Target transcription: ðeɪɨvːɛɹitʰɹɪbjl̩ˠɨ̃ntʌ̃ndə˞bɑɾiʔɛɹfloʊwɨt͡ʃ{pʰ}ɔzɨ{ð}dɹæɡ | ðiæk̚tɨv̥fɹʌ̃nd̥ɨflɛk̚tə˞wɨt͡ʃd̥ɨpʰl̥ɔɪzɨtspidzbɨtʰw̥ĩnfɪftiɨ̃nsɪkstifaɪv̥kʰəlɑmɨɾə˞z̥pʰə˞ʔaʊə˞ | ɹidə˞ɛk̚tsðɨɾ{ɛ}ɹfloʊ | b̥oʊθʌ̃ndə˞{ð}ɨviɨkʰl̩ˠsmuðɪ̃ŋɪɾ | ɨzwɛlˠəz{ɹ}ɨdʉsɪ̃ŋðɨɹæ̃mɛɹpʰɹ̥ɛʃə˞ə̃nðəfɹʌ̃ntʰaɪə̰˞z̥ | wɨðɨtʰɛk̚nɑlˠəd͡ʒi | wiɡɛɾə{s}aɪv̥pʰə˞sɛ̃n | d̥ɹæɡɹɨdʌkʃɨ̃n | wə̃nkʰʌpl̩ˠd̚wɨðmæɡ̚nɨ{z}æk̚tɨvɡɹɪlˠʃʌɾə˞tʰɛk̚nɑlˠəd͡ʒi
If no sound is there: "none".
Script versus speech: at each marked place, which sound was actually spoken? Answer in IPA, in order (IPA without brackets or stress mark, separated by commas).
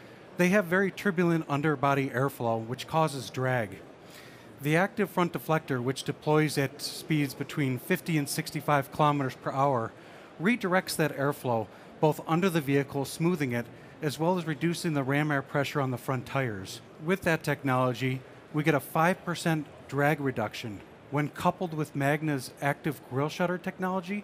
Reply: kʰ, z, ɛ, ð, ɹ, f, z